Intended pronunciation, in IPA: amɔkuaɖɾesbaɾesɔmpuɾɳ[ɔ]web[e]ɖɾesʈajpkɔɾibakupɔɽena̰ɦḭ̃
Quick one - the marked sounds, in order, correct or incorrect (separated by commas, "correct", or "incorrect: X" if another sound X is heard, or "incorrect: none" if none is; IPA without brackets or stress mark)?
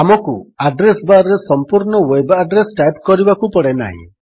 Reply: correct, incorrect: a